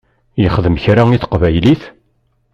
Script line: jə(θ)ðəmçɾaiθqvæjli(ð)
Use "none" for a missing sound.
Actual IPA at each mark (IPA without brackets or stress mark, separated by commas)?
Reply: χ, θ